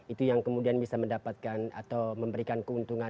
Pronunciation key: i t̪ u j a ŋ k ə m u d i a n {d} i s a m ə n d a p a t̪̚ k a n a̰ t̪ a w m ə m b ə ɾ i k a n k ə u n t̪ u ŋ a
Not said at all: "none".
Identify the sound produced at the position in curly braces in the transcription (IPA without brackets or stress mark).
b